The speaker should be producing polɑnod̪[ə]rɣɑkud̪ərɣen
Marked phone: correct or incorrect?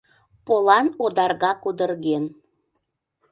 incorrect